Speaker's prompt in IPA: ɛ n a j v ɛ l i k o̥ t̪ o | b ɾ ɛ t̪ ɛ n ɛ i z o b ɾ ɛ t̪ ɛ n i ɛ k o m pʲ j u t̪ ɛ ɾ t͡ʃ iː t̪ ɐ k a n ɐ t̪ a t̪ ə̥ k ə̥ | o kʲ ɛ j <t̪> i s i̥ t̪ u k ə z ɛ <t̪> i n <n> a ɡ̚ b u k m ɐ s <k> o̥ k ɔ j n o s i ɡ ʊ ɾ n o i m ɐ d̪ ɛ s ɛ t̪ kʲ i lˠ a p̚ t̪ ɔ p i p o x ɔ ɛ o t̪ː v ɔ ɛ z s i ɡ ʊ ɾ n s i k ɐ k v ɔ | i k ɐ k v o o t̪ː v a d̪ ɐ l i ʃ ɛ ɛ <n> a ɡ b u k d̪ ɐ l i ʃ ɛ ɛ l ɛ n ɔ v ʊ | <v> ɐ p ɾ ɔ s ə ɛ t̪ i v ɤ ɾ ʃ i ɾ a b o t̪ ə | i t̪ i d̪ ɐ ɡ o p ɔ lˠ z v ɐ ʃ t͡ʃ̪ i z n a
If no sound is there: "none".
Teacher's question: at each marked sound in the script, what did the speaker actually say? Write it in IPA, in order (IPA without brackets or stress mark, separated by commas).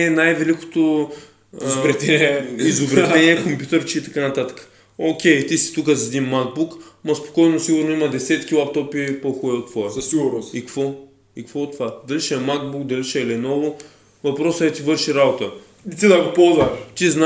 t̪, d̪, m, p, m, v